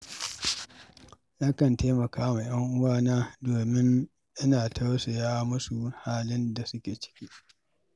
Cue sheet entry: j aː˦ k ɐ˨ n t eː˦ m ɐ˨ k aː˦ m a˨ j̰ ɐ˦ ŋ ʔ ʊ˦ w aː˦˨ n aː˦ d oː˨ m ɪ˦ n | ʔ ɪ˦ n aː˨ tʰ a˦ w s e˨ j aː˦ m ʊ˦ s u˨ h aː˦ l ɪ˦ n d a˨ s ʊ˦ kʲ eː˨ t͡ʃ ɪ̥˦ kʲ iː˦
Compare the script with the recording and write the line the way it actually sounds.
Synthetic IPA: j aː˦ k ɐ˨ n t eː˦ m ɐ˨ k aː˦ m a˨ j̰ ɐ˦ ŋ ʔ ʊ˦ w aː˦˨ n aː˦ d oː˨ m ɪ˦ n | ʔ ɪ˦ n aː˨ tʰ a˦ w s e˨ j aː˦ m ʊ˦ s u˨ h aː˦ l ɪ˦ n d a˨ s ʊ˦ kʲ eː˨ t͡ʃ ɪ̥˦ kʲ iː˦